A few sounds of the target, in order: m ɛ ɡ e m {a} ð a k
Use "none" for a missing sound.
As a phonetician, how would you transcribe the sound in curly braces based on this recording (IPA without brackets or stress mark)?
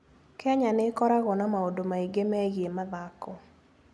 a